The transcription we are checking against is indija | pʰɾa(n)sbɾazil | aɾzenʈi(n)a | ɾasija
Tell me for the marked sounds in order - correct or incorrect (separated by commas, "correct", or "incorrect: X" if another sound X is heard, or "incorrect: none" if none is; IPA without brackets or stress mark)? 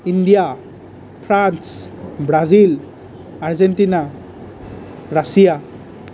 correct, correct